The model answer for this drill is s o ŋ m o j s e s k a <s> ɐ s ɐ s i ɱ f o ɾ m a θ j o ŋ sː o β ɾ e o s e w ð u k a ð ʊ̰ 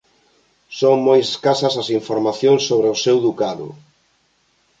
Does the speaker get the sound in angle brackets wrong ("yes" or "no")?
no